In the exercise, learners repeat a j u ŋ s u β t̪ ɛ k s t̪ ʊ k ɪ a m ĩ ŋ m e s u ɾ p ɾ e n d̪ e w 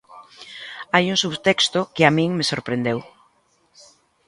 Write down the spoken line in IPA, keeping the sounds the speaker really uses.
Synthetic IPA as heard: a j u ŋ s u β t̪ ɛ k s t̪ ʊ k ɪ a m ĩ ŋ m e s o ɾ p ɾ e n d̪ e w